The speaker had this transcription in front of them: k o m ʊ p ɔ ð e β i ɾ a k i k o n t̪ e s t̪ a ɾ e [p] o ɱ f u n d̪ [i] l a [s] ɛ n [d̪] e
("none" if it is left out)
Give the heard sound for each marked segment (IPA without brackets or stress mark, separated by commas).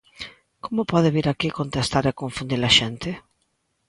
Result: k, i, ʃ, t̪